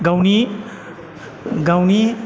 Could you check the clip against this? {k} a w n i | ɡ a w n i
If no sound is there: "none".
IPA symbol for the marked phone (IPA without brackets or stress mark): ɡ